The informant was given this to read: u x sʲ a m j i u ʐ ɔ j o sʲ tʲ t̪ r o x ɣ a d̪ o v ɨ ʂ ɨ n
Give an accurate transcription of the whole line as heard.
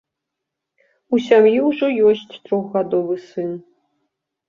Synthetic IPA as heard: u sʲ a m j i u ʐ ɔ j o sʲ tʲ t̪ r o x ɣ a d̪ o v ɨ s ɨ n

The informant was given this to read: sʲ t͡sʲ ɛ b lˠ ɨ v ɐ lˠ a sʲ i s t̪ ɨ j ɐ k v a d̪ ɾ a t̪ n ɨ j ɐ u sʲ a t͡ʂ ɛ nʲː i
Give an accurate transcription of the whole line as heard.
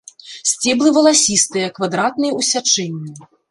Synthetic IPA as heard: sʲ t͡sʲ ɛ b lˠ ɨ v ɐ lˠ a sʲ i s t̪ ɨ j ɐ k v a d̪ ɾ a t̪ n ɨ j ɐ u sʲ a t͡ʂ ɛ nʲː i

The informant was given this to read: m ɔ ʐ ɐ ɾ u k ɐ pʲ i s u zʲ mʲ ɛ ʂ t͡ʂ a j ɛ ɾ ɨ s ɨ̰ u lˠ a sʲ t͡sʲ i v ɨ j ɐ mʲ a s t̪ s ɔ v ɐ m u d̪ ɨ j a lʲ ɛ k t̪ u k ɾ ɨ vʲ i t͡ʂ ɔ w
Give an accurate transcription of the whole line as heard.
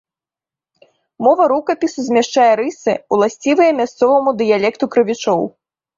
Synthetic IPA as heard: m ɔ v ɐ ɾ u k ɐ pʲ i s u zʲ mʲ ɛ ʂ t͡ʂ a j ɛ ɾ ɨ s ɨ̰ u lˠ a sʲ t͡sʲ i v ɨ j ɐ mʲ a s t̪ s ɔ v ɐ m u d̪ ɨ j a lʲ ɛ k t̪ u k ɾ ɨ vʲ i t͡ʂ ɔ w

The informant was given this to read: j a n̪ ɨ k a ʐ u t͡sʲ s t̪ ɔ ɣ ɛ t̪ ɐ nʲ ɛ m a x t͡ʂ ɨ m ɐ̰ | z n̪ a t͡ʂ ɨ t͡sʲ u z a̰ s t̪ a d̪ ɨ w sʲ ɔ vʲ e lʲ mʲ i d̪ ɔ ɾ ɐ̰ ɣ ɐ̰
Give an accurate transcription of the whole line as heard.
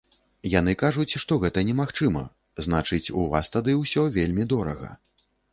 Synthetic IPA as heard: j a n̪ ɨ k a ʐ u t͡sʲ ʂ t̪ ɔ ɣ ɛ t̪ ɐ nʲ ɛ m a x t͡ʂ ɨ m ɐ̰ | z n̪ a t͡ʂ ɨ t͡sʲ u v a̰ s t̪ a d̪ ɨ w sʲ ɔ vʲ e lʲ mʲ i d̪ ɔ ɾ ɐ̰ ɣ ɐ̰

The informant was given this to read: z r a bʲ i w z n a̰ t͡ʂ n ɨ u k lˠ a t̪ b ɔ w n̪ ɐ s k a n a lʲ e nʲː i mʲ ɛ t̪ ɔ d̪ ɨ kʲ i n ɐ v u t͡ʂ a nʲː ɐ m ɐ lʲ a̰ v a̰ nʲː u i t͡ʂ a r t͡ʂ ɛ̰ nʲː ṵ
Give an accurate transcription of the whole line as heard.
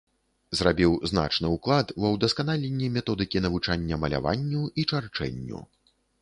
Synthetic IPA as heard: z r a bʲ i w z n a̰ t͡ʂ n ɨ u k lˠ a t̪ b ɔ w d̪ ɐ s k a n a lʲ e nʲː i mʲ ɛ t̪ ɔ d̪ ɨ kʲ i n ɐ v u t͡ʂ a nʲː ɐ m ɐ lʲ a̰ v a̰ nʲː u i t͡ʂ a r t͡ʂ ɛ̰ nʲː ṵ

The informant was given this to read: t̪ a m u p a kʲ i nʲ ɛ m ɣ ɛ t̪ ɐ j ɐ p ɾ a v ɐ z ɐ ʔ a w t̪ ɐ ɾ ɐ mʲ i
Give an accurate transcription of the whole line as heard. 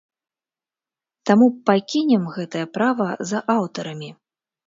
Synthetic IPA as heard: t̪ a m u p a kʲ i nʲ ɛ m ɣ ɛ t̪ ɐ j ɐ p ɾ a v ɐ z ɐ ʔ a w t̪ ɐ ɾ ɐ mʲ i

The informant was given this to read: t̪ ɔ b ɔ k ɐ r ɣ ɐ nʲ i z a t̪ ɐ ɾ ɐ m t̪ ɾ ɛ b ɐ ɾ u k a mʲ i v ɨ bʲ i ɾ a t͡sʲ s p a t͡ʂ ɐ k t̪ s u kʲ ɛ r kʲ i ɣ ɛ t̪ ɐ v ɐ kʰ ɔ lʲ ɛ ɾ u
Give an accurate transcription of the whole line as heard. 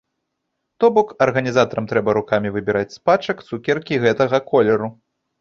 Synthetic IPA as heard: t̪ ɔ b ɔ k ɐ r ɣ ɐ nʲ i z a t̪ ɐ ɾ ɐ m t̪ ɾ ɛ b ɐ ɾ u k a mʲ i v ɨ bʲ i ɾ a t͡sʲ s p a t͡ʂ ɐ k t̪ s u kʲ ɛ r kʲ i ɣ ɛ t̪ ɐ ɣ ɐ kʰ ɔ lʲ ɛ ɾ u

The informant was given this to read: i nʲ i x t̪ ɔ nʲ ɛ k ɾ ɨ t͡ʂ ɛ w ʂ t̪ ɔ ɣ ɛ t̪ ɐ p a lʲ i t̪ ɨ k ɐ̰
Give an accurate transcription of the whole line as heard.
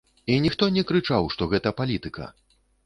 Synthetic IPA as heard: i nʲ i x t̪ ɔ nʲ ɛ k ɾ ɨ t͡ʂ a w ʂ t̪ ɔ ɣ ɛ t̪ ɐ p a lʲ i t̪ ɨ k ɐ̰

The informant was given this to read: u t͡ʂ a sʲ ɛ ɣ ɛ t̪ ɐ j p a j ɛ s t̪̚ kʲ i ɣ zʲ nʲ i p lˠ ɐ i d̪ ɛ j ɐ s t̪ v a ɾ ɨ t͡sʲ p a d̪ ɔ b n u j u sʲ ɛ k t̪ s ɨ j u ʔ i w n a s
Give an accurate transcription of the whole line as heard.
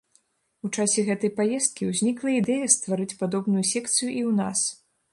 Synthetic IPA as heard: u t͡ʂ a sʲ ɛ ɣ ɛ t̪ ɐ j p a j ɛ s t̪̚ kʲ i w zʲ nʲ i k lˠ ɐ i d̪ ɛ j ɐ s t̪ v a ɾ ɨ t͡sʲ p a d̪ ɔ b n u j u sʲ ɛ k t̪ s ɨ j u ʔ i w n a s

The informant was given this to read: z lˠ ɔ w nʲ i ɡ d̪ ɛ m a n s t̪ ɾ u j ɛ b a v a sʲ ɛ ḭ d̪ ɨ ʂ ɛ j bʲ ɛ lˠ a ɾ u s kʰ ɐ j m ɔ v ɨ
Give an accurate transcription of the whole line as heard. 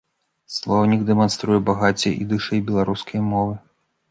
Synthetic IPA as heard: s lˠ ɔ w nʲ i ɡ d̪ ɛ m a n s t̪ ɾ u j ɛ b a ɣ a t͡sʲ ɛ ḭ d̪ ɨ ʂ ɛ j bʲ ɛ lˠ a ɾ u s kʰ ɐ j m ɔ v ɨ

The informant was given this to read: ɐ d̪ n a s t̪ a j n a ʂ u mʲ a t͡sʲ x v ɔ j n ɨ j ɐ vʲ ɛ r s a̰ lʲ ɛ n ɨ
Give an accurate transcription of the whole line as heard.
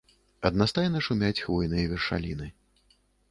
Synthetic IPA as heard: ɐ d̪ n a s t̪ a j n ɐ ʂ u mʲ a t͡sʲ x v ɔ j n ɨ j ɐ vʲ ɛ r ʂ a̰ lʲ i n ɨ

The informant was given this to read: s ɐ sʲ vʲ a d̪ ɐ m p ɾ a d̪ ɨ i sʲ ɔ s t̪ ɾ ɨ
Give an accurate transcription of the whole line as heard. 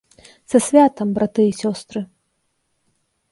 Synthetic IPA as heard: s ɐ sʲ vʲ a t̪ ɐ m b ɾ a t̪ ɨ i sʲ ɔ s t̪ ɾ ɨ

